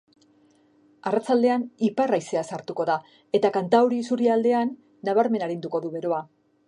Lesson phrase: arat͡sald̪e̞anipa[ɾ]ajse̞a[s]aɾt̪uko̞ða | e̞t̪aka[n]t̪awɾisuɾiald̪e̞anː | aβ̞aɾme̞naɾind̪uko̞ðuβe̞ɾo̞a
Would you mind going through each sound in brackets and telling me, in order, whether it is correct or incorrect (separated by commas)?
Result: incorrect, correct, correct